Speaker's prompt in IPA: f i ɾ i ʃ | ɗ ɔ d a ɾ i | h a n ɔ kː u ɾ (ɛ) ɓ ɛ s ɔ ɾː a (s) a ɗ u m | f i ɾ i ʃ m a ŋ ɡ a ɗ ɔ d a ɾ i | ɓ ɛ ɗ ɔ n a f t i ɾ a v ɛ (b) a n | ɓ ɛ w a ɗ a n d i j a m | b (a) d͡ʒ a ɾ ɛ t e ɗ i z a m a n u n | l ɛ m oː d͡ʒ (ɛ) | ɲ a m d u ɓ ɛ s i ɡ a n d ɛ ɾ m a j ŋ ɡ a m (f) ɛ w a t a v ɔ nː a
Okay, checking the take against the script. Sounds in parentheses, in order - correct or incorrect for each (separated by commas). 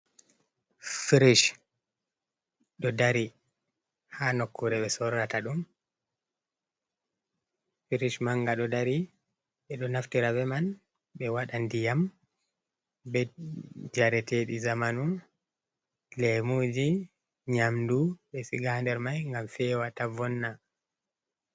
correct, incorrect, incorrect, incorrect, incorrect, correct